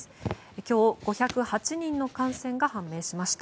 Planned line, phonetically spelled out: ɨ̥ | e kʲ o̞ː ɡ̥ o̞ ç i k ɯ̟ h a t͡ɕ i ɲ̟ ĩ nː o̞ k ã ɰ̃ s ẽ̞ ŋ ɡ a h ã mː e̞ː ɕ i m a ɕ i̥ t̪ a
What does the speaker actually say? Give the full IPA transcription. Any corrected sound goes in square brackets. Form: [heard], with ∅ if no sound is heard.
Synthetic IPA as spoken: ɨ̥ | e kʲ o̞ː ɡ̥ o̞ ç [a] k ɯ̟ h a t͡ɕ i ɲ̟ ĩ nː o̞ k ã ɰ̃ s ẽ̞ ŋ ɡ a h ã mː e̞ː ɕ i m a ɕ i̥ t̪ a